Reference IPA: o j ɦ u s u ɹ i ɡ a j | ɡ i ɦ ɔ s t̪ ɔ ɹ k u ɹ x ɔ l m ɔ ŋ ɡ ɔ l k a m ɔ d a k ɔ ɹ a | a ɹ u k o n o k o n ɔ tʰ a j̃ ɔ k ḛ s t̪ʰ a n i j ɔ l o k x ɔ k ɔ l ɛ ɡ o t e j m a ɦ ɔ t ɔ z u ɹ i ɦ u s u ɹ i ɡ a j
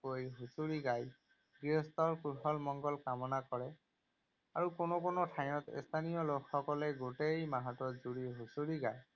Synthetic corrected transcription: o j ɦ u s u ɹ i ɡ a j | ɡ i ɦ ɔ s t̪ ɔ ɹ k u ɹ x ɔ l m ɔ ŋ ɡ ɔ l k a m ɔ n a k ɔ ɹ ɛ | a ɹ u k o n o k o n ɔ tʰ a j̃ ɔ t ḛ s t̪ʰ a n i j ɔ l o k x ɔ k ɔ l ɛ ɡ o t e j m a ɦ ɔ t ɔ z u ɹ i ɦ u s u ɹ i ɡ a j